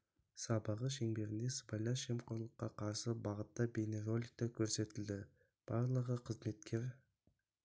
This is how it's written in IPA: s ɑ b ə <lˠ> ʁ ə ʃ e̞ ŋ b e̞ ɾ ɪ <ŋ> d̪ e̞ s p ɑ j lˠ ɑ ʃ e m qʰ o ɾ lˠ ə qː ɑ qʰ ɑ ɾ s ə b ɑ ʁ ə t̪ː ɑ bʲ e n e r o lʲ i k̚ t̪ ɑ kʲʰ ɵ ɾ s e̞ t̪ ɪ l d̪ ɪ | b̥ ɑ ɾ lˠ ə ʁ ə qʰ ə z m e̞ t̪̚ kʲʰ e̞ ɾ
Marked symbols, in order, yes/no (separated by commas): no, no